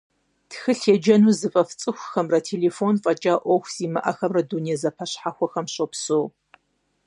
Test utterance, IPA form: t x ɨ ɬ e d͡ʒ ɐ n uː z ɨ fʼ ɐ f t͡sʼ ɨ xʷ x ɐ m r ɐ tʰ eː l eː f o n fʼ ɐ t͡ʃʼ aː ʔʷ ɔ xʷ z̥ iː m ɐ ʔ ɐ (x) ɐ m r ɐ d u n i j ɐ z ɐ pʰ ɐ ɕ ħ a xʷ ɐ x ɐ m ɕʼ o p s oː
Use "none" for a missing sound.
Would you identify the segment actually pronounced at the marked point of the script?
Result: x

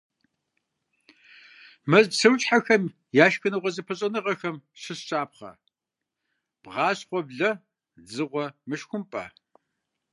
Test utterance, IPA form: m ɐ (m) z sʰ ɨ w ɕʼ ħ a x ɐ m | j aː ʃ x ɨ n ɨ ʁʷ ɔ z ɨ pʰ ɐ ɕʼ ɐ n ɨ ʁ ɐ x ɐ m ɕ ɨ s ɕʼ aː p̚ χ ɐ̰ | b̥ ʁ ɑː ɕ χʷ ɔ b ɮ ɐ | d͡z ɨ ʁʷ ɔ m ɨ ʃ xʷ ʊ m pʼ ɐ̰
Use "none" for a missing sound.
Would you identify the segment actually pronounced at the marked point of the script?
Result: none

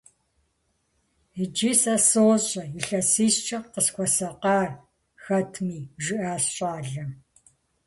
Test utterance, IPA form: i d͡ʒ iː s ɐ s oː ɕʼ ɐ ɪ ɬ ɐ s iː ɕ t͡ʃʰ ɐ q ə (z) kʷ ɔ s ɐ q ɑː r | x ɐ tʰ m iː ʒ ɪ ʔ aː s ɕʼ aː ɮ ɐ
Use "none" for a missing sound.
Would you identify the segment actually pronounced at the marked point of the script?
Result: s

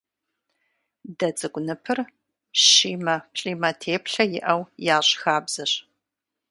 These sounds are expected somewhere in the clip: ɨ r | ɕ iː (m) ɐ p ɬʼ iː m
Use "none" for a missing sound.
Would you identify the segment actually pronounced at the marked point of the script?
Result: m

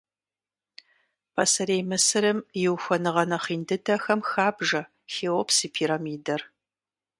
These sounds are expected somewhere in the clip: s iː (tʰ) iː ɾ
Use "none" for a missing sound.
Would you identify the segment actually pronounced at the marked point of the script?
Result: pʰ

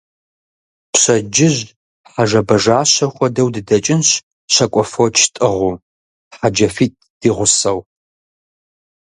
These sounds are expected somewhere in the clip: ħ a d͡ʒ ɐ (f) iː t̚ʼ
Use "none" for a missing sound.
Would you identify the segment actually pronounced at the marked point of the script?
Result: f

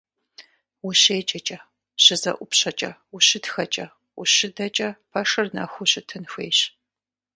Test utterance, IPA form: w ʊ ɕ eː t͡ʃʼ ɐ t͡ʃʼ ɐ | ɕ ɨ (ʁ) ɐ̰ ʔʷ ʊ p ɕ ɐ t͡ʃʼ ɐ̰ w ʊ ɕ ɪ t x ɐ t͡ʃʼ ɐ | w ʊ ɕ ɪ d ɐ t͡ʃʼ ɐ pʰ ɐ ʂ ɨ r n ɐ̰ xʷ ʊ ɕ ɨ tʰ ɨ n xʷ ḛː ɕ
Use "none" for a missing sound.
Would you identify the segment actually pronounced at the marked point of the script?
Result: z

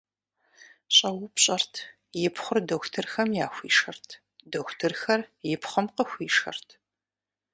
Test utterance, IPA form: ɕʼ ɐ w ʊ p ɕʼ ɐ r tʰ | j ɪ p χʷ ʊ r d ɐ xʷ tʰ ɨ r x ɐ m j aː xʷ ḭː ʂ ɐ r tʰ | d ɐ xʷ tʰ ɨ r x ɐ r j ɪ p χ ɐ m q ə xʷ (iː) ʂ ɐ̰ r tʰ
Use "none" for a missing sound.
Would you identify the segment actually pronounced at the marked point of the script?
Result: iː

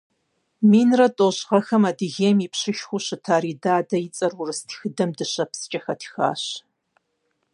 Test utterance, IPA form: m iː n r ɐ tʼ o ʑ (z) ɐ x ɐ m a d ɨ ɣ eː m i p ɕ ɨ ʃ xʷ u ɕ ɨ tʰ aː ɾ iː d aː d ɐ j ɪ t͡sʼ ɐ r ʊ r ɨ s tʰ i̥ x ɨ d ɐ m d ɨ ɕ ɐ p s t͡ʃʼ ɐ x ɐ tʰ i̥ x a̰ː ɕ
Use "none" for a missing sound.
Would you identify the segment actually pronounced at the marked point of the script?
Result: ʁ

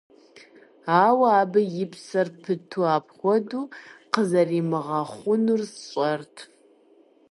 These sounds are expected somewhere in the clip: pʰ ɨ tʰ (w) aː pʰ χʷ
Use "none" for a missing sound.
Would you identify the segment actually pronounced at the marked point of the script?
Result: u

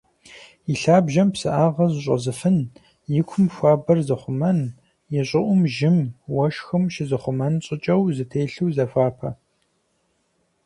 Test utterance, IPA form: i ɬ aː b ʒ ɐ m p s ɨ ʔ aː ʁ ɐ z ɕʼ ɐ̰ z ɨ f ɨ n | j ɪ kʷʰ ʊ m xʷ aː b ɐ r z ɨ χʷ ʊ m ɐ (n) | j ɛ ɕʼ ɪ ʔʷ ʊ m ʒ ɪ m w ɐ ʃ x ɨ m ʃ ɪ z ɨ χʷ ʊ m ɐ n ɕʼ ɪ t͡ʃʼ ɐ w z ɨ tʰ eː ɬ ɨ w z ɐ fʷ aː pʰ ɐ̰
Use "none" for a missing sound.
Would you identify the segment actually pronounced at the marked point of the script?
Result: n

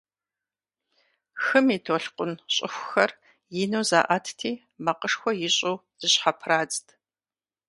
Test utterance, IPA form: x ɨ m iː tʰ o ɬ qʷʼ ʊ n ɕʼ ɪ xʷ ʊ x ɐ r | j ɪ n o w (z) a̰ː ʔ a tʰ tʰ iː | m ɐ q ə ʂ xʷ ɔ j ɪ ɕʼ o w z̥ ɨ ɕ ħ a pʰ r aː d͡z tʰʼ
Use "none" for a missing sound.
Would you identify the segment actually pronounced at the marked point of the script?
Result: z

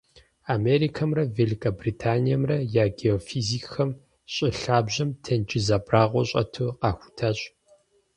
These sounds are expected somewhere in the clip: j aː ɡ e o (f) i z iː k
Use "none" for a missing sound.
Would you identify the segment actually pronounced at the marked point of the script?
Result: f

